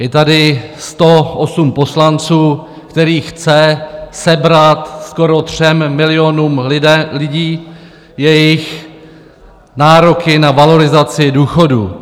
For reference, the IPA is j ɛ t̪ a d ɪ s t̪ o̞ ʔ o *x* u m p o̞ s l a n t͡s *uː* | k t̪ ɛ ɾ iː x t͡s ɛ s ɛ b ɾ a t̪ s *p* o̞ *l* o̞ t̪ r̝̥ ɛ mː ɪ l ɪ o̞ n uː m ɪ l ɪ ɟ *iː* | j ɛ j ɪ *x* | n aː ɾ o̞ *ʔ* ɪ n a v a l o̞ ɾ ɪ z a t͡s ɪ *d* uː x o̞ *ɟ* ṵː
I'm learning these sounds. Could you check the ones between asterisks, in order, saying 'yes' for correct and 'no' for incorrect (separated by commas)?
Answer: no, yes, no, no, yes, yes, no, yes, no